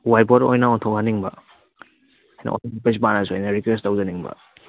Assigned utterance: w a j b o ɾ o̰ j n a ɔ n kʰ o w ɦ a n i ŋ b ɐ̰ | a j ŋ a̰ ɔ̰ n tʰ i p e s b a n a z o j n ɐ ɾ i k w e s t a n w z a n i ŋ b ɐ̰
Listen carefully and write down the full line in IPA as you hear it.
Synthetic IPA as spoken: w a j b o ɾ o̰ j n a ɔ n tʰ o w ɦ a n i ŋ b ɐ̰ | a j n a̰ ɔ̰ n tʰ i p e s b a n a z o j n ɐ ɾ i k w e s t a w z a n i ŋ b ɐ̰